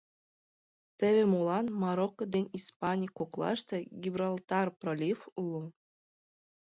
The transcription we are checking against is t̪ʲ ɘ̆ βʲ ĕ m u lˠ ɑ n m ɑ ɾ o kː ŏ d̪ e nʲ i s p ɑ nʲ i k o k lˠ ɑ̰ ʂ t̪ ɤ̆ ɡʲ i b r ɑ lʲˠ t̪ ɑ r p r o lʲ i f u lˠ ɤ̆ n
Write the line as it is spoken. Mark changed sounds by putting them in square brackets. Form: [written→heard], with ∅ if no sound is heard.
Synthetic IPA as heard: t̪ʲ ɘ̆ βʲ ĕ m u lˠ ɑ n m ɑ ɾ o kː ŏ d̪ e nʲ i s p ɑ nʲ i k o k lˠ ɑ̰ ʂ t̪ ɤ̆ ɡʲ i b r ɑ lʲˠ t̪ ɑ r p r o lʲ i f u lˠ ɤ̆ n